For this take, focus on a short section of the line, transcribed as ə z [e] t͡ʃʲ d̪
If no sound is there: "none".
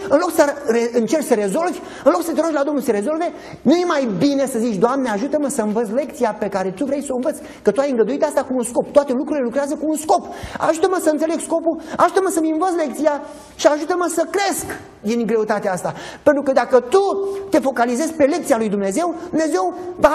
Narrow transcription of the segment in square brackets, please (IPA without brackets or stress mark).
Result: i